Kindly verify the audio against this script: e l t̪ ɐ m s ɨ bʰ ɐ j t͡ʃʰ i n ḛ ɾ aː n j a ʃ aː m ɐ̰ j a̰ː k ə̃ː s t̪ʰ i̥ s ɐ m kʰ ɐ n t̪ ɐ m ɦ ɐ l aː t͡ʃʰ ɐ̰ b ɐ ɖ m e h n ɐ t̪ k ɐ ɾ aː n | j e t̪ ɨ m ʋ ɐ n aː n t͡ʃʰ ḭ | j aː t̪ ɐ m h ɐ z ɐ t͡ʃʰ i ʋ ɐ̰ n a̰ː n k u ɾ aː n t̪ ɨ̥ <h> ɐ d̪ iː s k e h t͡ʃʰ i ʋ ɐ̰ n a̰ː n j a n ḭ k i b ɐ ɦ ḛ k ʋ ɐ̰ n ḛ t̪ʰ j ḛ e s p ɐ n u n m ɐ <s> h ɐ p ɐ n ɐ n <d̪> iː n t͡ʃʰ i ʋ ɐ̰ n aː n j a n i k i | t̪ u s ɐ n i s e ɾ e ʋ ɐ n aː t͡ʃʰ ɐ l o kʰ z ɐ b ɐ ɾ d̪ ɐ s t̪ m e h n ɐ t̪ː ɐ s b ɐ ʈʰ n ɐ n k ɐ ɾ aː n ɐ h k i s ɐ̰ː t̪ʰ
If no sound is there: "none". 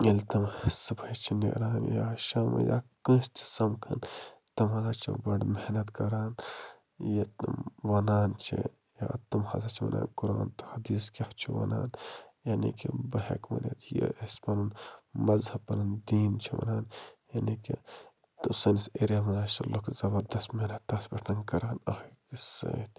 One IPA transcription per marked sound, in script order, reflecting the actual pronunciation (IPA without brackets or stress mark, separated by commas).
h, z, d̪